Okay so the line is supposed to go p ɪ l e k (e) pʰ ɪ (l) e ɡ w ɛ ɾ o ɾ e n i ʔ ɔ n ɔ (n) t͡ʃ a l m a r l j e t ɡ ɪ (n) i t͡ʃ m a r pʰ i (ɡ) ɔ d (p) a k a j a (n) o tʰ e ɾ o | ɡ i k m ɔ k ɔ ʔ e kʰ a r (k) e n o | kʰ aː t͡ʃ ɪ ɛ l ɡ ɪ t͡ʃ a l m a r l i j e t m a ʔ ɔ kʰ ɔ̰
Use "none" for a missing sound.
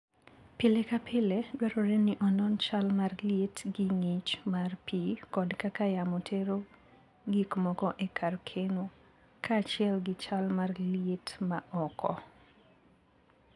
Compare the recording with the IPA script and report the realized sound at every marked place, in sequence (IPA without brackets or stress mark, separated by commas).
a, l, n, ŋ, k, k, m, kʰ